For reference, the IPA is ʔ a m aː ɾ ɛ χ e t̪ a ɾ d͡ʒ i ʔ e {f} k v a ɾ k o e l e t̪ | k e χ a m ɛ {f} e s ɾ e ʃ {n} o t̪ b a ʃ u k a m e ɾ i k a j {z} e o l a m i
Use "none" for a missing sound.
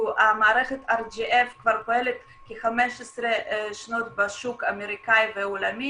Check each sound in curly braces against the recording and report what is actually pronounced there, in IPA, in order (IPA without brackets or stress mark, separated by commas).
f, ʃ, n, v